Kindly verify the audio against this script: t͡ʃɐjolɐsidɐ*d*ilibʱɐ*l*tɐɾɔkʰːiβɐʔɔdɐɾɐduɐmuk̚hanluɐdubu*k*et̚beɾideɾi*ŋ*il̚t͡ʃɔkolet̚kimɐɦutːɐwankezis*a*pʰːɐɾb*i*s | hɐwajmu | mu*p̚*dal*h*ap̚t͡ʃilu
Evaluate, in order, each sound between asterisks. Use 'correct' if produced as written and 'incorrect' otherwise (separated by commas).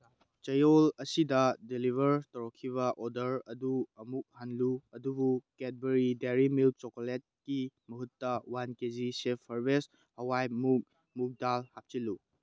correct, incorrect, correct, incorrect, incorrect, incorrect, incorrect, correct